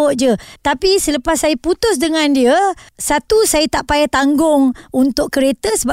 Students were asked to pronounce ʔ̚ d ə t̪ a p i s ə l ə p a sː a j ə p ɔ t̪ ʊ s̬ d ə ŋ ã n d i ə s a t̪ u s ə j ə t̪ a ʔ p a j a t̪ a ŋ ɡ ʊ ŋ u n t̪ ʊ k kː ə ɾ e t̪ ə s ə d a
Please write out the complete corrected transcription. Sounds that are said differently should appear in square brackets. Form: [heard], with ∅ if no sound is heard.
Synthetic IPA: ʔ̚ [d͡ʒ] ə t̪ a p i s ə l ə p a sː a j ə p [u] t̪ ʊ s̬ d ə ŋ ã n d i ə s a t̪ u s [a] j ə t̪ a ʔ p a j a t̪ a ŋ ɡ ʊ ŋ u n t̪ ʊ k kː ə ɾ e t̪ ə s ə [b] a